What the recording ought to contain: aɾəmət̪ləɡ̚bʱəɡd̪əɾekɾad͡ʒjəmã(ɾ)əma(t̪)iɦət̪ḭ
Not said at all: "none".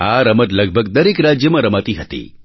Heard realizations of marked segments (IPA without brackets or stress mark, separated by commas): ɾ, t̪